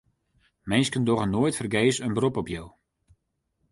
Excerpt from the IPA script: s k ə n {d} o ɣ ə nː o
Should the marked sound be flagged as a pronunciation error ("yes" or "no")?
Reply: no